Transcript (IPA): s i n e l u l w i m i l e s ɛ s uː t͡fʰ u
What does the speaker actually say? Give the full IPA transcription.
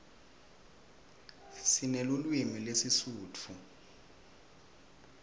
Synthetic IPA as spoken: s i n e l u l w i m i l e s i s uː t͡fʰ u